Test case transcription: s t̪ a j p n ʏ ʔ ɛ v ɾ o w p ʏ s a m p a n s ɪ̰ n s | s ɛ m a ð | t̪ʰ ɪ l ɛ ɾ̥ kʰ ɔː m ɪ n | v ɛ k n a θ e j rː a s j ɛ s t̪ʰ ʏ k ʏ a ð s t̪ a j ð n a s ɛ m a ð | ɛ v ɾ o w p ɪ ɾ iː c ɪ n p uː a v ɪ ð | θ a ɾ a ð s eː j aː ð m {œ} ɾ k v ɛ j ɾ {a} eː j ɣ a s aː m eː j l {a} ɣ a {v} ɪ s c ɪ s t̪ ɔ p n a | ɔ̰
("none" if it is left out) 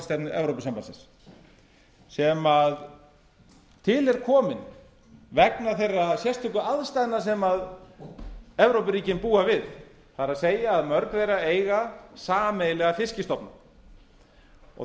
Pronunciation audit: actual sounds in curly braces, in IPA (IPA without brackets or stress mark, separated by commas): œ, a, ɛ, f